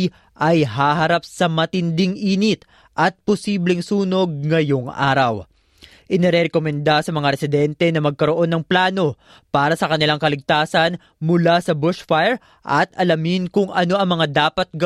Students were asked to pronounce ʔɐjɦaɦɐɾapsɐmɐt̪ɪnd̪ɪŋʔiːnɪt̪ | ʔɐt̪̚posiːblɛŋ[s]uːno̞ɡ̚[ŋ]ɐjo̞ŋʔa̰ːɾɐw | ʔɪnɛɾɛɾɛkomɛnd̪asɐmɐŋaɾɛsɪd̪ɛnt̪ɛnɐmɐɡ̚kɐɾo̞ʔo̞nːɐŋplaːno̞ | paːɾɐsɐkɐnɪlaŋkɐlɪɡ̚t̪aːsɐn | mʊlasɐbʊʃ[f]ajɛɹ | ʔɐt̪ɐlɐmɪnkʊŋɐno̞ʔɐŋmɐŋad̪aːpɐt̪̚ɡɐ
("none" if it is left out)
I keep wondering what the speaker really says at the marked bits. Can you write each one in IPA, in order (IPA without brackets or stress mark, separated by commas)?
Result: s, ŋ, f